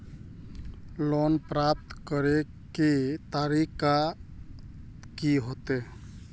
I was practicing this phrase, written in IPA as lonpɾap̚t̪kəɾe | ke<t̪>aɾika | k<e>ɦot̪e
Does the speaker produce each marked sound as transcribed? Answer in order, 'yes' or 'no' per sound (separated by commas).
yes, no